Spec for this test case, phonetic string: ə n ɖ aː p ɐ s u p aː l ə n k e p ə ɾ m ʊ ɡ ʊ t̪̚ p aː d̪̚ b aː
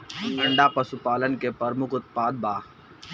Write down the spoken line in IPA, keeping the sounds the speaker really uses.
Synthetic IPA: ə ɳ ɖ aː p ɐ s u p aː l ə n k e p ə ɾ m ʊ k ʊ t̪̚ p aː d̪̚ b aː